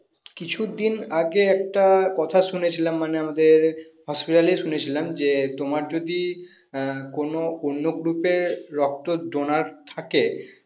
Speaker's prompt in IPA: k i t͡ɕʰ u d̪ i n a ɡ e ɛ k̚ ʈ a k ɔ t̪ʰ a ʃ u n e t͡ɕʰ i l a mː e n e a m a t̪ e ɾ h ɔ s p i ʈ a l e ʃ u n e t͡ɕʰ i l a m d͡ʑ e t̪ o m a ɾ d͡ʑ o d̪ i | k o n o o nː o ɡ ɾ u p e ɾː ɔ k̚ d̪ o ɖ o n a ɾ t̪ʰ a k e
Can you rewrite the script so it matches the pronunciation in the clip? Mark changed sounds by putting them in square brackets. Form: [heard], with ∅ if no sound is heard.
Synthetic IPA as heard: k i t͡ɕʰ u d̪ i n a ɡ e ɛ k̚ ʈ a k ɔ t̪ʰ a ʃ u n e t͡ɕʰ i l a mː [a] n e a m a [d̪] e ɾ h ɔ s p i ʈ a l e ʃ u n e t͡ɕʰ i l a m d͡ʑ e t̪ o m a ɾ d͡ʑ o d̪ i | k o n o o nː o ɡ ɾ u p e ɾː ɔ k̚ [t̪] o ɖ o n a ɾ t̪ʰ a k e